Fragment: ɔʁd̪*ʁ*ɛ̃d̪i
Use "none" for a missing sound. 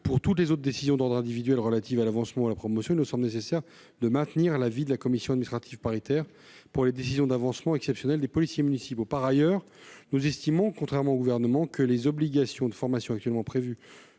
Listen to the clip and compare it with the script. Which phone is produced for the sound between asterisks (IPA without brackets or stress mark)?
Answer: ʁ